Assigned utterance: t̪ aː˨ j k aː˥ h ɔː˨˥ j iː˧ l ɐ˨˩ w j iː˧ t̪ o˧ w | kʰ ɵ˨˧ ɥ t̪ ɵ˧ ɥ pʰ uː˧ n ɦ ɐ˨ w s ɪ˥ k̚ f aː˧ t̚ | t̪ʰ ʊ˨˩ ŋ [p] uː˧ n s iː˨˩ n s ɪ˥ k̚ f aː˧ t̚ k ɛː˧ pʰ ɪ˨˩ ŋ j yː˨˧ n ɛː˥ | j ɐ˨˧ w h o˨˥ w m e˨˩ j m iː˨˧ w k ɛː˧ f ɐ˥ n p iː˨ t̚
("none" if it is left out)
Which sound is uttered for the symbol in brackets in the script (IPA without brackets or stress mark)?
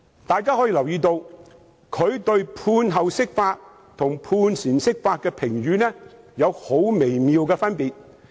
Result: pʰ